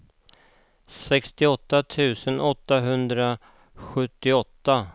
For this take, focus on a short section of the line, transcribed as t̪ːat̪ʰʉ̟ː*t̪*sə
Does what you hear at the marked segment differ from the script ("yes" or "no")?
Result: yes